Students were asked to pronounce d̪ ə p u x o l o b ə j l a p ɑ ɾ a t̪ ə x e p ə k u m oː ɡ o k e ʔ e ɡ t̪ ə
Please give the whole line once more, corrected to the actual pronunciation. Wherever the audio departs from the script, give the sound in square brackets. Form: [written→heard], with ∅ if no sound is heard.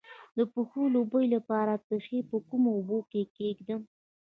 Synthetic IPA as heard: d̪ ə p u x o l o b ə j l a p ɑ ɾ a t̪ ə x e p ə k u m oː [ɡ→b] o k e [ʔ→k] e ɡ [t̪→d̪] ə

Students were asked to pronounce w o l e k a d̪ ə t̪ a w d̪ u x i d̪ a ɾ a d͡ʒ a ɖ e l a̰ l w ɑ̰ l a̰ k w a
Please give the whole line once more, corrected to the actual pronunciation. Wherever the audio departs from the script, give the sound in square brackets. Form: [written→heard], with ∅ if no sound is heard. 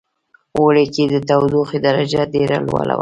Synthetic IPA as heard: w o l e k [a→e] d̪ ə t̪ a w d̪ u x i d̪ a ɾ a d͡ʒ a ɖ e [l→ɾ] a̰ l w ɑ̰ l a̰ [k→∅] w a

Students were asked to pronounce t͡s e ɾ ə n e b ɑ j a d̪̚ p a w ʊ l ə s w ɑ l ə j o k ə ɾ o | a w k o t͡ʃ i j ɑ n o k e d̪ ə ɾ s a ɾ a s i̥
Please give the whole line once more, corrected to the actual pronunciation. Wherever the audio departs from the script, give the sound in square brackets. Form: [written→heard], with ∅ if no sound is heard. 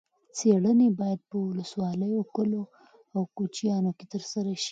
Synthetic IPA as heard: t͡s e [ɾ→ɽ] ə n e b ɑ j a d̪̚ p [a→ə] w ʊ l ə s w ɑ l ə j o k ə [ɾ→l] o | a w k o t͡ʃ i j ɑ n o k e [d̪→t̪] ə ɾ s a ɾ a [s→ʃ] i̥

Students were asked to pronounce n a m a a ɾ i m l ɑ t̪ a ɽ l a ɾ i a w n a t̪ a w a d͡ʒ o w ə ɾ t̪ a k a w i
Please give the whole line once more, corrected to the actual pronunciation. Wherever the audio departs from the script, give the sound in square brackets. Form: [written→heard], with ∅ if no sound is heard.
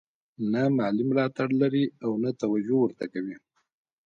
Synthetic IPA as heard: n a m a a [ɾ→l] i m l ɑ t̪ a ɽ l a ɾ i a w n a t̪ a w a d͡ʒ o w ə ɾ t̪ a k a w i

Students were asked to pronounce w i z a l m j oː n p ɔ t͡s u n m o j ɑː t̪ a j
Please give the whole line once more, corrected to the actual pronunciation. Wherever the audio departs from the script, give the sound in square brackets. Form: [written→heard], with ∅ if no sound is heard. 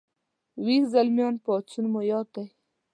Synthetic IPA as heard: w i z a l m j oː n p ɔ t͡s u n m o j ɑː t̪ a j

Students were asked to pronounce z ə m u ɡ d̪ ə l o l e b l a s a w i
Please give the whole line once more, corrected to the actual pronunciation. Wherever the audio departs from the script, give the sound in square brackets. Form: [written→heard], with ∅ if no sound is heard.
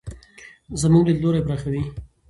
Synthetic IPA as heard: z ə m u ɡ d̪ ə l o [l→ɾ] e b [l→ɾ] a [s→x] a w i

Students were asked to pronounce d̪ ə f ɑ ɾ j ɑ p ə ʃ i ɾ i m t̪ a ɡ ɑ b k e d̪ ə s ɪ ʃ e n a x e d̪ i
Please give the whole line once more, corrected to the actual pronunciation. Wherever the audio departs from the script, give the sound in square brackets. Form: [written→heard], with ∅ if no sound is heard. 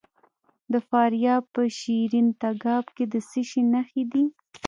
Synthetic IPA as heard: d̪ ə f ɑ ɾ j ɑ p ə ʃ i ɾ i [m→n] t̪ a ɡ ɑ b k e d̪ ə s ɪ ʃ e n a x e d̪ i

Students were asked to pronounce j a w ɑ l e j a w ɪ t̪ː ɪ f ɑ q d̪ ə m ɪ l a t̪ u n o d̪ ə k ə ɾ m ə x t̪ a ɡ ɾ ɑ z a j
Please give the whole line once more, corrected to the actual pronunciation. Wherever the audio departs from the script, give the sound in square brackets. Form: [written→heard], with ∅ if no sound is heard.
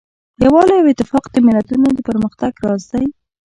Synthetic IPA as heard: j a w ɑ l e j a w ɪ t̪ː ɪ f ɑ q d̪ ə m ɪ l a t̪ u n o d̪ ə [k→p] ə ɾ m ə x t̪ a ɡ ɾ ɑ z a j

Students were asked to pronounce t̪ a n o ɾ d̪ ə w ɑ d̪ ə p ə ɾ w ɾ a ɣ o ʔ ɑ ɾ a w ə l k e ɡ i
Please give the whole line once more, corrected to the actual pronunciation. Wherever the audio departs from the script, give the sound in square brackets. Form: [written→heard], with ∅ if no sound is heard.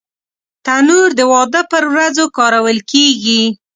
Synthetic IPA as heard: t̪ a n [o→u] ɾ d̪ ə w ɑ d̪ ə p ə ɾ w ɾ a [ɣ→z] o [ʔ→k] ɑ ɾ a w ə l k e ɡ i

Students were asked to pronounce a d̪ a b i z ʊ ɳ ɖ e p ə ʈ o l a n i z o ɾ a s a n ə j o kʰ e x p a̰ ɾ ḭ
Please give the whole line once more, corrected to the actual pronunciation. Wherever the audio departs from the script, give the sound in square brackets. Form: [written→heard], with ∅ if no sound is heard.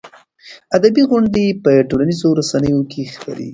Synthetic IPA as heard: a d̪ a b i [z→ɣ] ʊ ɳ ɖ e p ə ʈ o l a n i z o ɾ a s a n ə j o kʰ e x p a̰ ɾ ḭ

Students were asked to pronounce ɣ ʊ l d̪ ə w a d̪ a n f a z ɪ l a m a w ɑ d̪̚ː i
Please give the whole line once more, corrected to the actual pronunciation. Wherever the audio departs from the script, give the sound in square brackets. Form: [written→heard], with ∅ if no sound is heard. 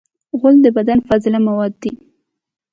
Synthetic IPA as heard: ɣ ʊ l d̪ ə [w→b] a d̪ a n f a z ɪ l a m a w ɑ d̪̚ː i

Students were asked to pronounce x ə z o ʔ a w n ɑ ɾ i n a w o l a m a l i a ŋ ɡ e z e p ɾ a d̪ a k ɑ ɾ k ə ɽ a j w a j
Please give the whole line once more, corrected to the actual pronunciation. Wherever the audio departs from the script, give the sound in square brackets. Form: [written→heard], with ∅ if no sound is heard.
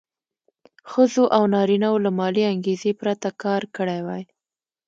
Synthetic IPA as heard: x ə z o ʔ a w n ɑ ɾ i n a w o l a m [a→ɑ] l i a ŋ ɡ e z e p ɾ a [d̪→t̪] a k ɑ ɾ k ə ɽ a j w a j

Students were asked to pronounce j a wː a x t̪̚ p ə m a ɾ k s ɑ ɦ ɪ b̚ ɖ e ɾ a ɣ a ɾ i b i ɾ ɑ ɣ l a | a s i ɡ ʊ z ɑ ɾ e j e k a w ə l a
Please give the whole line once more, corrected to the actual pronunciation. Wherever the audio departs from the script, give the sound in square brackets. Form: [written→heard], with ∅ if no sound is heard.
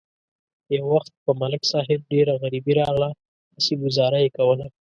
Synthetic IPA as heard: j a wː a x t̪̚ p ə m a [ɾ→l] k s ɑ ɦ ɪ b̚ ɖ e ɾ a ɣ a ɾ i b i ɾ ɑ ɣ l a | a s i ɡ ʊ z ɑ ɾ [e→a] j e k a w ə l a

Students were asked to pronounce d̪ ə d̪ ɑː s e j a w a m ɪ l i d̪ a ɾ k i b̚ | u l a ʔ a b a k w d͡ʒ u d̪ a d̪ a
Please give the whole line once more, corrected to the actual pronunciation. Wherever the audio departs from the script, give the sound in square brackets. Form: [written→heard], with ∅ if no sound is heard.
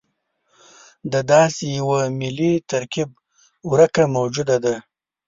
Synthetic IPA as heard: d̪ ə d̪ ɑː s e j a w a m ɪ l i [d̪→t̪] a ɾ k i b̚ | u [l→ɾ] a [ʔ→k] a [b→m] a [k→∅] w d͡ʒ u d̪ a d̪ a

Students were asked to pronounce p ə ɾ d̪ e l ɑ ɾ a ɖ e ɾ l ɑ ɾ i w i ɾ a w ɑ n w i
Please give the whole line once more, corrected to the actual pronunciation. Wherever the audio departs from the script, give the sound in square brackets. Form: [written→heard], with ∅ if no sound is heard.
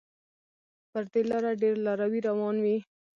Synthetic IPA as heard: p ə ɾ d̪ e l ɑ ɾ a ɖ e ɾ l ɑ ɾ [i→a] w i ɾ a w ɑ n w i

